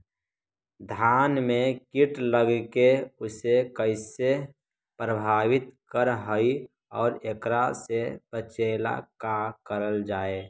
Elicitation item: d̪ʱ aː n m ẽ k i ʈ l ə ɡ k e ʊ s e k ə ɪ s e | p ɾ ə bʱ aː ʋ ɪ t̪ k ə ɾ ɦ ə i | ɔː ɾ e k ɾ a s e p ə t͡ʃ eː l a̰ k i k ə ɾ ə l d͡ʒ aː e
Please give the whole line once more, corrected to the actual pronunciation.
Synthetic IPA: d̪ʱ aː n m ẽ k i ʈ l ə ɡ k e ʊ s e k ə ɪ s e | p ɾ ə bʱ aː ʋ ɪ t̪ k ə ɾ ɦ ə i | ɔː ɾ e k ɾ a s e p ə t͡ʃ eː l a̰ k a k ə ɾ ə l d͡ʒ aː e

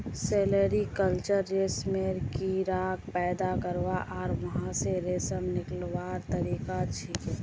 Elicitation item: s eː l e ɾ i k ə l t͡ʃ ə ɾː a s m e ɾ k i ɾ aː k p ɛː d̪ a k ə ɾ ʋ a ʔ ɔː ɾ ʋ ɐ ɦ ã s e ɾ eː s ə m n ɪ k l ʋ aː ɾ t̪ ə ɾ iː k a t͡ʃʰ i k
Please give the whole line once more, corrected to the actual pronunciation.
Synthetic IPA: s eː l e ɾ i k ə l t͡ʃ ə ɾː e s m e ɾ k i ɾ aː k p ɛː d̪ a k ə ɾ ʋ a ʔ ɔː ɾ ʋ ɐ ɦ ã s e ɾ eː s ə m n ɪ k l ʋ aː ɾ t̪ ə ɾ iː k a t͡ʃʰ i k

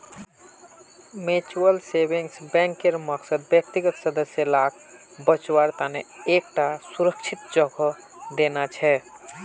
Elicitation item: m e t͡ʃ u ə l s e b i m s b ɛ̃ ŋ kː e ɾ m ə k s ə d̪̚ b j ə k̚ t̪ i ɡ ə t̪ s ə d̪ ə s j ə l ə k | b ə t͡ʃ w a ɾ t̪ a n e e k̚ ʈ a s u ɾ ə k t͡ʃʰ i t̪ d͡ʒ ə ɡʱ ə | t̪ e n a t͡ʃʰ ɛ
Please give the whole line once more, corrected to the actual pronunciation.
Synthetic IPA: m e t͡ʃ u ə l s e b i ŋ s b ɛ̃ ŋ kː e ɾ m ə k s ə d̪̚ b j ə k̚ t̪ i ɡ ə t̪ s ə d̪ ə s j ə l a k | b ə t͡ʃ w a ɾ t̪ a n e e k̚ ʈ a s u ɾ ə k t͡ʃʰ i t̪ d͡ʒ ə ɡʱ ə | d̪ e n a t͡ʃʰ ɛ

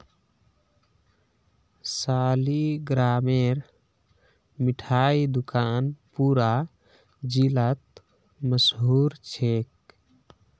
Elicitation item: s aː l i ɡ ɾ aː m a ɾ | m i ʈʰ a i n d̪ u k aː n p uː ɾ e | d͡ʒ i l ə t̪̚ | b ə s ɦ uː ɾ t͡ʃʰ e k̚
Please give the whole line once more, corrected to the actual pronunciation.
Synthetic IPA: s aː l i ɡ ɾ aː m e ɾ | m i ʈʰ a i d̪ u k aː n p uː ɾ a | d͡ʒ i l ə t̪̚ | m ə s ɦ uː ɾ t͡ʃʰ e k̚

